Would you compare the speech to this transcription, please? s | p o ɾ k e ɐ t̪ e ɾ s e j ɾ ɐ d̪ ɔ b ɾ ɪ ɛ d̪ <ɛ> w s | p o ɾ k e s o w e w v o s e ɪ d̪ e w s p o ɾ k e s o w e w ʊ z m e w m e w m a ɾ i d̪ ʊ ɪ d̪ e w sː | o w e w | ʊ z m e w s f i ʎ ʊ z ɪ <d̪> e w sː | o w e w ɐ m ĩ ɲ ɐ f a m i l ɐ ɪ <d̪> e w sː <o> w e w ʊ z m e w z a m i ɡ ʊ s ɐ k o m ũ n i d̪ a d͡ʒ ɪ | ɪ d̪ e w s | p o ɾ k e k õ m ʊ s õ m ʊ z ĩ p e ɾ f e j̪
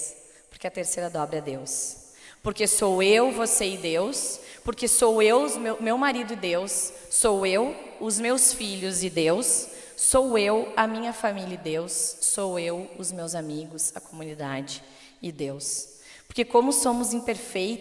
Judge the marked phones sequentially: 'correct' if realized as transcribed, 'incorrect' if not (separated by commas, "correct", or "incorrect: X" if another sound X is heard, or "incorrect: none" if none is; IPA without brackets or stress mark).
incorrect: e, correct, correct, correct